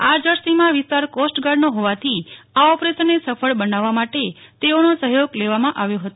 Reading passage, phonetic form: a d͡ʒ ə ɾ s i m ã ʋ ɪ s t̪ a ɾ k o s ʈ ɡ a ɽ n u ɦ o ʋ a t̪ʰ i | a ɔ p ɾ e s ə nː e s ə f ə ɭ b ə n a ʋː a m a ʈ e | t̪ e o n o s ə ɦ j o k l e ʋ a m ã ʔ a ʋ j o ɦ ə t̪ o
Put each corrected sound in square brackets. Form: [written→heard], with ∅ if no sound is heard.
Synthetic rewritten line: a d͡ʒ ə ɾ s i m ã ʋ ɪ s t̪ a ɾ k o s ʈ ɡ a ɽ n [u→o] ɦ o ʋ a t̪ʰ i | a ɔ p ɾ e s ə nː e s ə f ə ɭ b ə n a ʋː a m a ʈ e | t̪ e o n o s ə ɦ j o [k→ɡ] l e ʋ a m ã ʔ a ʋ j o ɦ ə t̪ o